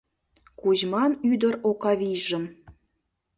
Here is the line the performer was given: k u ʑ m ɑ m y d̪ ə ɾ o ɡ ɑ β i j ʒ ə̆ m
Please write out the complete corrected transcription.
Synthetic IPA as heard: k u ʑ m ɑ n y d̪ ə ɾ o k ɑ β i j ʒ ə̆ m